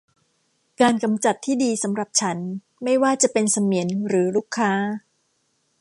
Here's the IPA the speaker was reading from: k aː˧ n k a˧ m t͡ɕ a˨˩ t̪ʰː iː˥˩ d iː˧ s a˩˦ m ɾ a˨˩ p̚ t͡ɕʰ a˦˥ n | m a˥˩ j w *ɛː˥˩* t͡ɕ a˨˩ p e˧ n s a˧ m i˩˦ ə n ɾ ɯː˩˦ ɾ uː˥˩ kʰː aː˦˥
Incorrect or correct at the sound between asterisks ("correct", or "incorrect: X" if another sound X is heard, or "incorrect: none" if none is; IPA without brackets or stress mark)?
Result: incorrect: aː˥˩